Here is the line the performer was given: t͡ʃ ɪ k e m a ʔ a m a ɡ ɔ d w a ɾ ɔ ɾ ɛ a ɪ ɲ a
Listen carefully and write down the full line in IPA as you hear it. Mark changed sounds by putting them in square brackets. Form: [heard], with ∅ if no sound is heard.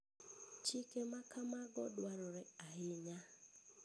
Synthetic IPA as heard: t͡ʃ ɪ k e m a [k] a m a ɡ ɔ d w a ɾ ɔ ɾ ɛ a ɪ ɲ a